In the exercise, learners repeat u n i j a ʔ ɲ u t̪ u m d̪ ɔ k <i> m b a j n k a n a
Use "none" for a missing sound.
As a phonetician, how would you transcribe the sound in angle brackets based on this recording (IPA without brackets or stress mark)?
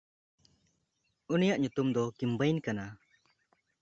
i